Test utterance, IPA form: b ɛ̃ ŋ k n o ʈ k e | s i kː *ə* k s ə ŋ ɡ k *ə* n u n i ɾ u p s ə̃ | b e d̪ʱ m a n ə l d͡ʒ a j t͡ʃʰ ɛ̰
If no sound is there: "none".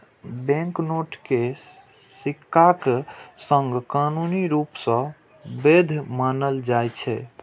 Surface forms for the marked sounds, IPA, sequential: a, a

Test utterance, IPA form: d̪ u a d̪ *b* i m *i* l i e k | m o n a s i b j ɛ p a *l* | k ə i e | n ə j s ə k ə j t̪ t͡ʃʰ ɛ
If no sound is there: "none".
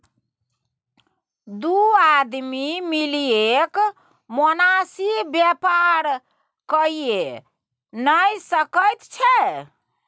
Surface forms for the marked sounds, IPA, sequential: m, i, ɾ

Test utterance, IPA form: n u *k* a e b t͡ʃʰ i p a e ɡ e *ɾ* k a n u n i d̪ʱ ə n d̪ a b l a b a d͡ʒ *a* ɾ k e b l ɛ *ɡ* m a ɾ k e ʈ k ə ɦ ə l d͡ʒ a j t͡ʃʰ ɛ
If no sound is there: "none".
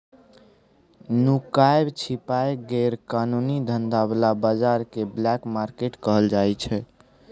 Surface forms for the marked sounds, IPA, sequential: k, ɾ, a, k

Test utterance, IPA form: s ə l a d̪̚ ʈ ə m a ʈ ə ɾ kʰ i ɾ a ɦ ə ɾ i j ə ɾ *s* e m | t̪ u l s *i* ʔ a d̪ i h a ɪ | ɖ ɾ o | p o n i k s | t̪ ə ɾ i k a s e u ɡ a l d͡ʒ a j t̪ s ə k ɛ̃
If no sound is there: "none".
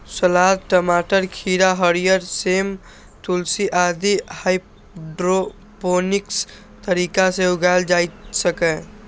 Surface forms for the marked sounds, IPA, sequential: s, i

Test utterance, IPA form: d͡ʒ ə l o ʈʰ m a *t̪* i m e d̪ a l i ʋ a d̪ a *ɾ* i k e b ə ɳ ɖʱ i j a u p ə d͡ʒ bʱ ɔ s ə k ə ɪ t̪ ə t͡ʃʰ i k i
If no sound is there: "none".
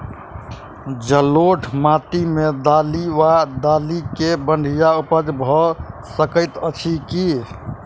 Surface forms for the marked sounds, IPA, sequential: t̪, l

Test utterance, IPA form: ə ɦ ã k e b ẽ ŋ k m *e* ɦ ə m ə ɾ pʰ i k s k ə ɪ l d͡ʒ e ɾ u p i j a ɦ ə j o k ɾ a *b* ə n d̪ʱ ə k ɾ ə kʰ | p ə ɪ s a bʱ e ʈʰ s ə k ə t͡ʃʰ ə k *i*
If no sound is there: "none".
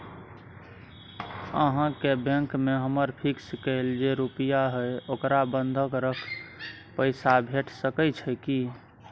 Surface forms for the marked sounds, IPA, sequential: e, b, i

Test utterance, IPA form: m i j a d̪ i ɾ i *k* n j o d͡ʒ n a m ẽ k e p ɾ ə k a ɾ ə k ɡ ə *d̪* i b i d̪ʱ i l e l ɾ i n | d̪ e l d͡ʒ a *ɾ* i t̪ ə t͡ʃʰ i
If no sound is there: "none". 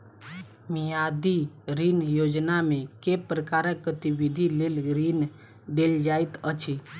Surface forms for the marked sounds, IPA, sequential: none, t̪, none

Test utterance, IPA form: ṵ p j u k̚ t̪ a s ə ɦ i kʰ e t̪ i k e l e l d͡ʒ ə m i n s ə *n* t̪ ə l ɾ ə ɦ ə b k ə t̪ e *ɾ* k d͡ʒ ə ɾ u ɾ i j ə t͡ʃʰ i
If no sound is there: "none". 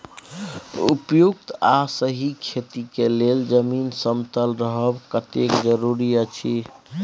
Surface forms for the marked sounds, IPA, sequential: m, none

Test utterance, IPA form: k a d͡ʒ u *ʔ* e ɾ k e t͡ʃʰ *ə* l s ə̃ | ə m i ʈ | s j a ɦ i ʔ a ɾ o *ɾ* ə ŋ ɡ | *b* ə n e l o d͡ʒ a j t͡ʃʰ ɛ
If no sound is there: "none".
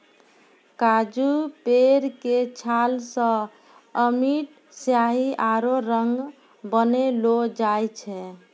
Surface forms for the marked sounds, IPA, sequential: p, a, ɾ, b

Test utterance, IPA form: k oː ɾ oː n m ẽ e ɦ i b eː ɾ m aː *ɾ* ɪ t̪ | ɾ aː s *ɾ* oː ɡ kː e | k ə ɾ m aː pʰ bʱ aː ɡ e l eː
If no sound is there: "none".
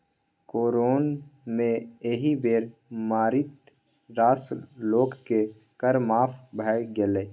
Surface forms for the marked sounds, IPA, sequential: ɾ, l

